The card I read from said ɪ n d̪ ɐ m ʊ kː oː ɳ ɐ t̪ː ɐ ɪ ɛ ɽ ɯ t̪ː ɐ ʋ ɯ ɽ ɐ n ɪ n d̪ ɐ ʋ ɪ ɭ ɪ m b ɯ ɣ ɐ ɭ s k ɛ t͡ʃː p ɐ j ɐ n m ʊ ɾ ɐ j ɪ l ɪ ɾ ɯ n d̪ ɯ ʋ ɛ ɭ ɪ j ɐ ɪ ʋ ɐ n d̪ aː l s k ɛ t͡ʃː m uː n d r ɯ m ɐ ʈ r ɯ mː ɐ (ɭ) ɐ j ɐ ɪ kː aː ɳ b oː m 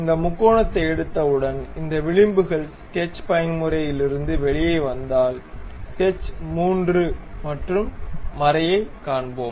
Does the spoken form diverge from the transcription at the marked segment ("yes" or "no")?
yes